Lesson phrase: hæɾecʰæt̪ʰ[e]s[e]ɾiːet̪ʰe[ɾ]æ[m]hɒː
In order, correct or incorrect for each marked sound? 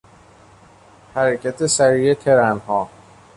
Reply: correct, incorrect, correct, incorrect

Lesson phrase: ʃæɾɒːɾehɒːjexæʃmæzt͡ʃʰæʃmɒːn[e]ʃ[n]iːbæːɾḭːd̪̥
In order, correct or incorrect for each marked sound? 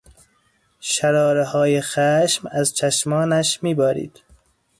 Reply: incorrect, incorrect

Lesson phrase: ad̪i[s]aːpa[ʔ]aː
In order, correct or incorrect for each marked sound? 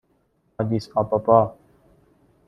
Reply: correct, incorrect

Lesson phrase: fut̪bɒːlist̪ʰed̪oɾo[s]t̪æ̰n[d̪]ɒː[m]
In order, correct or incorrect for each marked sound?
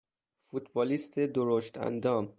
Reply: incorrect, correct, correct

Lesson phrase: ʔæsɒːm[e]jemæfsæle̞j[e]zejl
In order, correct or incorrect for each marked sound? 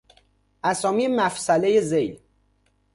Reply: incorrect, correct

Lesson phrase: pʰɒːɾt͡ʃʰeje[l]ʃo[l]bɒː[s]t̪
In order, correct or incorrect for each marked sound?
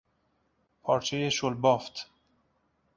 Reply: incorrect, correct, incorrect

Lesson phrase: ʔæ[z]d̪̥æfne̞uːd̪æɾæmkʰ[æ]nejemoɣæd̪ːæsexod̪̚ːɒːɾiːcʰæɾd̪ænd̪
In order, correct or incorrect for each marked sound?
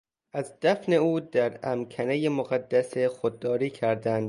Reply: correct, correct

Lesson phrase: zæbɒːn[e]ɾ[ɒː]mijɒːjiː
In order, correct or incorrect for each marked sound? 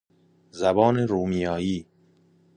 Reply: correct, incorrect

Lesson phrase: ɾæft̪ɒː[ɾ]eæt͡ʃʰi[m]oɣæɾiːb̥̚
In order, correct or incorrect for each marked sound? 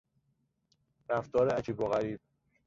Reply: correct, incorrect

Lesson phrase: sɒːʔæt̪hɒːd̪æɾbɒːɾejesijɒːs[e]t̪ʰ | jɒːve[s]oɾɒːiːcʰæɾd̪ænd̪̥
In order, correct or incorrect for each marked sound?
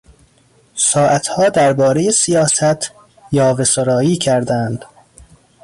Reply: incorrect, correct

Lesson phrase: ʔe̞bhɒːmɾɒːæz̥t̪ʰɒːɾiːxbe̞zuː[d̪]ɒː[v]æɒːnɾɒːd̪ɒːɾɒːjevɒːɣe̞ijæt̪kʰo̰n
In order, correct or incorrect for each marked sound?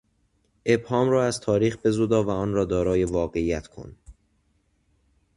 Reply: correct, correct

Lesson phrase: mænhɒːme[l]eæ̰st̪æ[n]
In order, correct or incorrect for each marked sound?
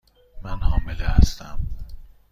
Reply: correct, incorrect

